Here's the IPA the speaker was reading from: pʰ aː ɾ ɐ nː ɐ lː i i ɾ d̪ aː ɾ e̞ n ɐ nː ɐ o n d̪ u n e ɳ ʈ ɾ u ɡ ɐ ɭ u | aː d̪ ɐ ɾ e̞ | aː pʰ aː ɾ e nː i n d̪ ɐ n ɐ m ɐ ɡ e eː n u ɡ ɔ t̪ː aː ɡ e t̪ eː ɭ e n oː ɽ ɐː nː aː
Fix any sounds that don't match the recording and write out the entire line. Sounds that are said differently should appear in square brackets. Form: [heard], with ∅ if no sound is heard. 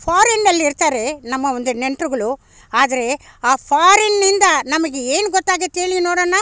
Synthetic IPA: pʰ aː ɾ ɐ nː ɐ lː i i ɾ [t̪] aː ɾ e̞ n ɐ [mː] ɐ o n d̪ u n e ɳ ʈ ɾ u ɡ ɐ ɭ u | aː d̪ ɐ ɾ e̞ | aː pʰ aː ɾ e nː i n d̪ ɐ n ɐ m ɐ ɡ e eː n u ɡ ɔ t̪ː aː ɡ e t̪ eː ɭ [i] n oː ɽ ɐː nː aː